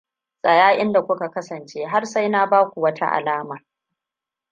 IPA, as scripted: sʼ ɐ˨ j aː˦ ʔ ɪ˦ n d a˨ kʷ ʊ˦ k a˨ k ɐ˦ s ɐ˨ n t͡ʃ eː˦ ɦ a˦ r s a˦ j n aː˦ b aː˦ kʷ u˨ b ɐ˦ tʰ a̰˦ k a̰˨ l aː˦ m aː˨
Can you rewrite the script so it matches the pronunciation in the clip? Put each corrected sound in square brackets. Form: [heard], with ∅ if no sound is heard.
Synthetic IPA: sʼ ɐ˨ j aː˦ ʔ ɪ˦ n d a˨ kʷ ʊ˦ k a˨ k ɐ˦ s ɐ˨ n t͡ʃ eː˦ ɦ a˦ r s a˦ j n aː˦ b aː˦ kʷ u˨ [w] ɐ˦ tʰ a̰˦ [ʔ] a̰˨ l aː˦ m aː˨